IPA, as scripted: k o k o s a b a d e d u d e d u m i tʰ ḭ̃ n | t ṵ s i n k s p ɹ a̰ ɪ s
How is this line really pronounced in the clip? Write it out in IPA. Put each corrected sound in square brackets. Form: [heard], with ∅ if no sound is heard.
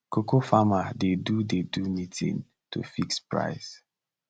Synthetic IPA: k o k o [f] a [m] a d e d u d e d u m i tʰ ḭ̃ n | t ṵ [f] i [∅] k s p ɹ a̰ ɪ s